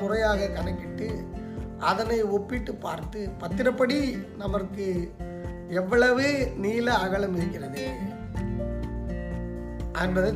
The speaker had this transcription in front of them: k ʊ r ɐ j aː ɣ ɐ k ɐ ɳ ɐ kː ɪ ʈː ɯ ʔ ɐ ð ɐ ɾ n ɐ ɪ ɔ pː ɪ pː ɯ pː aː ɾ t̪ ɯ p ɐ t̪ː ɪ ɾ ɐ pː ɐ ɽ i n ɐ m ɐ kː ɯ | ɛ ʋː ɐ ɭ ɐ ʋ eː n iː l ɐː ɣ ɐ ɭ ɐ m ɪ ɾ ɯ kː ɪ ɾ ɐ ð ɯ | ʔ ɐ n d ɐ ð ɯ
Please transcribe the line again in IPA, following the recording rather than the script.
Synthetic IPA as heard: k ʊ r ɐ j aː ɣ ɐ k ɐ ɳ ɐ kː ɪ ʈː ɯ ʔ ɐ ð ɐ n ɐ ɪ ɔ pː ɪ ʈː ɯ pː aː ɾ t̪ ɯ p ɐ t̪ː ɪ ɾ ɐ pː ɐ ɽ i n ɐ m ɐ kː ɯ | ɛ ʋː ɐ ɭ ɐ ʋ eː n iː l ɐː ɣ ɐ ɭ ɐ m ɪ ɾ ɯ kː ɪ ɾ ɐ ð ɯ | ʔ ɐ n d ɐ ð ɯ